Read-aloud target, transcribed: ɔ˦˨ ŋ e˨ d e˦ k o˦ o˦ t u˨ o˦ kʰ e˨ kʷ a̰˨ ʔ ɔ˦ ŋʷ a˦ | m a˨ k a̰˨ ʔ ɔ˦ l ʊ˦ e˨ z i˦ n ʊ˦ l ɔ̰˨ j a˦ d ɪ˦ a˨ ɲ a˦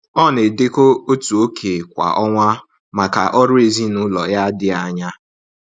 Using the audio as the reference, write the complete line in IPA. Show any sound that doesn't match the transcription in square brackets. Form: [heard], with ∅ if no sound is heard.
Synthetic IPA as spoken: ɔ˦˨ [n] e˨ d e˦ k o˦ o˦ t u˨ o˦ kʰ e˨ kʷ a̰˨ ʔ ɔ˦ ŋʷ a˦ | m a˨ k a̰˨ ʔ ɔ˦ [ɾ] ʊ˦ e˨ z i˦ n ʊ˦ l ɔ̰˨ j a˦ d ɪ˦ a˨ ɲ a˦